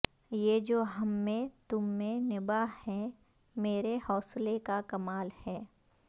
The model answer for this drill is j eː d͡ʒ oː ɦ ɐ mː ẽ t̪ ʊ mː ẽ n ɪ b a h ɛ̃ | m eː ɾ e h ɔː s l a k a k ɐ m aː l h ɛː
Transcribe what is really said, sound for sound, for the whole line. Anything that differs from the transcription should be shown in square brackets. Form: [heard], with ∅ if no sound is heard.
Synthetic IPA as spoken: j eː d͡ʒ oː ɦ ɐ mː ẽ t̪ ʊ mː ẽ n ɪ b a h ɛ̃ | m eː ɾ e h ɔː s l [e] k a k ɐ m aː l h ɛː